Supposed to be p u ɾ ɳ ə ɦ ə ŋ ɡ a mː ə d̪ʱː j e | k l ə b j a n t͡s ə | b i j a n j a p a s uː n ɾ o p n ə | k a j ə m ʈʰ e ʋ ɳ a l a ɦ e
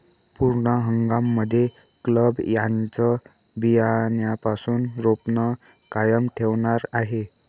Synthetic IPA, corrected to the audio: p u ɾ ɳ ə ɦ ə ŋ ɡ a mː ə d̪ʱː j e | k l ə b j a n t͡s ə | b i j a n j a p a s uː n ɾ o p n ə | k a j ə m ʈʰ e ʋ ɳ a ɾ a ɦ e